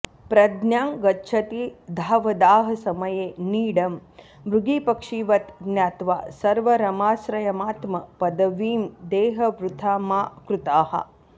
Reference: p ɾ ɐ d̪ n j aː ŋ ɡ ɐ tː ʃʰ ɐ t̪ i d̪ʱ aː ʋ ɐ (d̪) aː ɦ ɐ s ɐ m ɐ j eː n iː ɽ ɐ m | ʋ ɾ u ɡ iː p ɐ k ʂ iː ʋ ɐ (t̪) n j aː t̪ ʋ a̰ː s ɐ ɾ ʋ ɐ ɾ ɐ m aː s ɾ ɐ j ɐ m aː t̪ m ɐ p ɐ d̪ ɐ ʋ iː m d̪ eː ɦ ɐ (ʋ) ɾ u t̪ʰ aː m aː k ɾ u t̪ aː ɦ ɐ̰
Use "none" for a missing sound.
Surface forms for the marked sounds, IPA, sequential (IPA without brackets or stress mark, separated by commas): d̪, t̪, ʋ